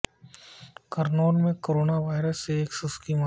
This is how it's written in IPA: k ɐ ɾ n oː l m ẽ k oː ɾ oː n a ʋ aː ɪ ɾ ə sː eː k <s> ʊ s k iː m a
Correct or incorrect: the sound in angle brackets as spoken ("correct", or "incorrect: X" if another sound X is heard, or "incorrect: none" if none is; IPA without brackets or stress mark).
correct